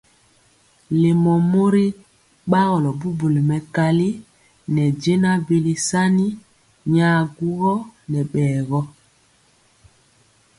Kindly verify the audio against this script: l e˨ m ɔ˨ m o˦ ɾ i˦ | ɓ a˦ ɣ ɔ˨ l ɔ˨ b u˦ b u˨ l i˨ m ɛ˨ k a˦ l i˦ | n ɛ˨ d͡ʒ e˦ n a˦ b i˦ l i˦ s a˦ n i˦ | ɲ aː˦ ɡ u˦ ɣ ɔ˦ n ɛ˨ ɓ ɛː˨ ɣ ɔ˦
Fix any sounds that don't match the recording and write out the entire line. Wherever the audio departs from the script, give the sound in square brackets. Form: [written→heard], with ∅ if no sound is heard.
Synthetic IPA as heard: l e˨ m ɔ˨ m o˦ ɾ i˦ | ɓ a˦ ɣ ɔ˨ l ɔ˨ b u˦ b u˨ l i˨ m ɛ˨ k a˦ l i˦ | n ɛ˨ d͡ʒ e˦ n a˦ b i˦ l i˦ s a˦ n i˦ | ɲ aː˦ ɡ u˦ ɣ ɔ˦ n ɛ˨ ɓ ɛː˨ ɣ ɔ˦